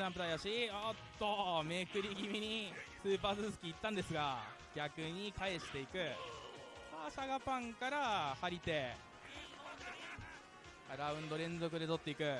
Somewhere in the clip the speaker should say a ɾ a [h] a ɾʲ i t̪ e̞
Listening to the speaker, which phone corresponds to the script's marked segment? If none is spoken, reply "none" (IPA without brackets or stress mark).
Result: h